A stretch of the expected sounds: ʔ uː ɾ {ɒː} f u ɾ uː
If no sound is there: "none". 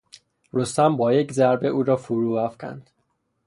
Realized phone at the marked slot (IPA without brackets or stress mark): ɒː